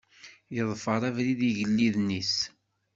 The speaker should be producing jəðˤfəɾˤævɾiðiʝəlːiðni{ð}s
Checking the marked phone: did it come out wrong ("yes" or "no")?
yes